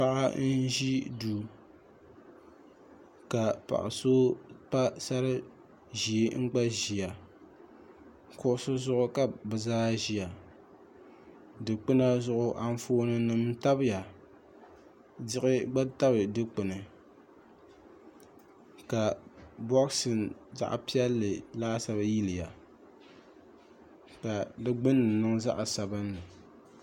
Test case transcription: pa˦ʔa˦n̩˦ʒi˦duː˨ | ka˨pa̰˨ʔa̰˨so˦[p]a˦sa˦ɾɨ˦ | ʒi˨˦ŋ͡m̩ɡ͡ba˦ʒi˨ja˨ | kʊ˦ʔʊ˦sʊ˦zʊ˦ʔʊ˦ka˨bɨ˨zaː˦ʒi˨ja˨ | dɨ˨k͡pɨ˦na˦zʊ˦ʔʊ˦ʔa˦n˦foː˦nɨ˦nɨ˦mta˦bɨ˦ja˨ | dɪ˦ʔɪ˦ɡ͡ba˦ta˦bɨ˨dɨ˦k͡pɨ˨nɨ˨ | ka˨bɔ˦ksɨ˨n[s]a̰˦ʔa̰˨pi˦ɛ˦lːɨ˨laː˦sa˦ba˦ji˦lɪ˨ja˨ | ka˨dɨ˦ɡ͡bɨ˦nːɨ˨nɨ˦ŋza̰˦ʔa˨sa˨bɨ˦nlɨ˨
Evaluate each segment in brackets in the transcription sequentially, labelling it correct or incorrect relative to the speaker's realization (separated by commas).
correct, incorrect